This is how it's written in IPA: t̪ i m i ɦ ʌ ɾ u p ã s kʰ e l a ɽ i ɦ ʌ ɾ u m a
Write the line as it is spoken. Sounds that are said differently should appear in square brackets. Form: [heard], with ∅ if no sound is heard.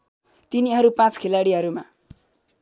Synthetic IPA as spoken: t̪ i [n] i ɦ ʌ ɾ u p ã [t͡s] kʰ e l a ɽ i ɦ ʌ ɾ u m a